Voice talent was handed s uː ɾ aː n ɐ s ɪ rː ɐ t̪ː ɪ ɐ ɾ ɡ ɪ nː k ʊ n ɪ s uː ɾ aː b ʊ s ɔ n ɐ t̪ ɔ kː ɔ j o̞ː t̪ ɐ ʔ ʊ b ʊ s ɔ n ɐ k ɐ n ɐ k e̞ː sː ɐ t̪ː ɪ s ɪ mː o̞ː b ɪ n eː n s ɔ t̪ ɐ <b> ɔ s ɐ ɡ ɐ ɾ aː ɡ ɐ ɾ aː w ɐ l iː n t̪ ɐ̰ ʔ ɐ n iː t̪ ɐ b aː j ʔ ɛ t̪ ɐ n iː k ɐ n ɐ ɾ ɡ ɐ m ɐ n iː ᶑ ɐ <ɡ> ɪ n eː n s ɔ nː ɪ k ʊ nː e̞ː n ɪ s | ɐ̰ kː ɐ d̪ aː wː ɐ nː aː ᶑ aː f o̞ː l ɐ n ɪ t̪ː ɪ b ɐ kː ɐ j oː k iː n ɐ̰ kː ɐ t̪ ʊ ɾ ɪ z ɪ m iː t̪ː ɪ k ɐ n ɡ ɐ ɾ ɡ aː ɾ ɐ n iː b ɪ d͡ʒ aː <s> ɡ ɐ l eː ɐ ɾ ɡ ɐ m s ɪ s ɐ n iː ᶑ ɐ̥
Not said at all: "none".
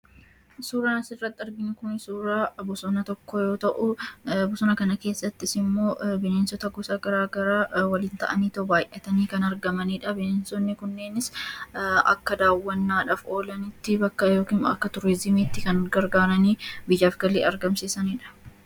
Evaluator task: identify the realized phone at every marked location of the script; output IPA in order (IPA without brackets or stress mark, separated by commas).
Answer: ɡ, b, f